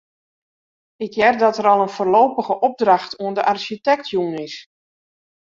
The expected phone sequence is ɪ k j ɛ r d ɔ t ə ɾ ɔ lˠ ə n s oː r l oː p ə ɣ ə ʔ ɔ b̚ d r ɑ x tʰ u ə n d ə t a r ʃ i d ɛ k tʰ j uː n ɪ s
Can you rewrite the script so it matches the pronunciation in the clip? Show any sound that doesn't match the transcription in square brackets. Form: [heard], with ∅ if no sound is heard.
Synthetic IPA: ɪ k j ɛ r d ɔ t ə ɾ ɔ lˠ ə n [f] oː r l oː p ə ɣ ə ʔ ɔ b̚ d r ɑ x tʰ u ə n d ə [ʔ] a r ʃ i [t] ɛ k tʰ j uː n ɪ s